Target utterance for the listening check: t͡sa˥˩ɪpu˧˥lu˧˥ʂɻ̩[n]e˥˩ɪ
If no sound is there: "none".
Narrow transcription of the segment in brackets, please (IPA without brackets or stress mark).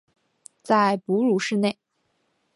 n